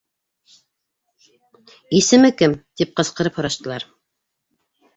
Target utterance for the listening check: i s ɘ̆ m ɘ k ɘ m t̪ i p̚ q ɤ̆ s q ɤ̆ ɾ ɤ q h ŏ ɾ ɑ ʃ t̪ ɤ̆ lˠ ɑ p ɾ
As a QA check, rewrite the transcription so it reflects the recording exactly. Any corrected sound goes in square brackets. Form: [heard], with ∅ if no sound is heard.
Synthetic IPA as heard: i s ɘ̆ m ɘ k ɘ m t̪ i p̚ q ɤ̆ s q ɤ̆ ɾ ɤ [p] h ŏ ɾ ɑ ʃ t̪ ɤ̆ lˠ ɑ [∅] ɾ